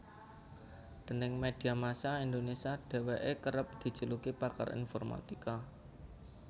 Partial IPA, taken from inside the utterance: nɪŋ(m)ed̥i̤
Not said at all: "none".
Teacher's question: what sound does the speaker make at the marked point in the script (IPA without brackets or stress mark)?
m